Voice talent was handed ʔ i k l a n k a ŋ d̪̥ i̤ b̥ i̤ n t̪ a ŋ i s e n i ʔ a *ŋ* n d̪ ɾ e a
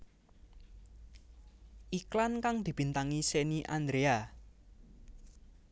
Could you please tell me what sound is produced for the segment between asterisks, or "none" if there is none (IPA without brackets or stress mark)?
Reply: none